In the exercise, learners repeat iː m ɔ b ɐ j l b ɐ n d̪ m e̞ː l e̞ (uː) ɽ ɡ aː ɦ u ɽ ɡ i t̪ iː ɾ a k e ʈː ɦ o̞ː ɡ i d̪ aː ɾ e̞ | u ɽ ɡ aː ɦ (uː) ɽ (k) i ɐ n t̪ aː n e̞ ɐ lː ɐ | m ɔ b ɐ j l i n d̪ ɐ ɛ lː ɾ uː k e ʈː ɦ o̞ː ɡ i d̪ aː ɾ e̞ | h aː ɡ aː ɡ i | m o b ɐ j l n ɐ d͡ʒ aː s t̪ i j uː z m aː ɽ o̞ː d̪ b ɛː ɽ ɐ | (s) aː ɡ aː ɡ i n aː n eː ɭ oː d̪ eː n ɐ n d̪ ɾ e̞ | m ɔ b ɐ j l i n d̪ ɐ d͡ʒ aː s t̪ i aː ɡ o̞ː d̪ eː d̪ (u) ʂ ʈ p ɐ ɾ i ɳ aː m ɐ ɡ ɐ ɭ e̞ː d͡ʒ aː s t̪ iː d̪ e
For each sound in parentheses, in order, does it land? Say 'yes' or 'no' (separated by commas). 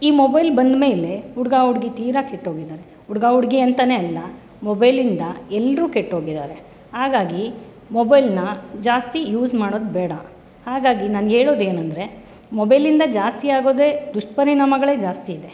no, no, no, no, yes